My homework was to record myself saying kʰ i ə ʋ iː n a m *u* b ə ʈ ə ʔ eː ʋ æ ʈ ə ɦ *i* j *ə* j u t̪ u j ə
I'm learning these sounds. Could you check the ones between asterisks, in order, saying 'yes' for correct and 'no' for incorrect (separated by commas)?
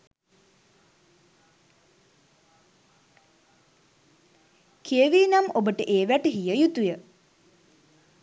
no, yes, yes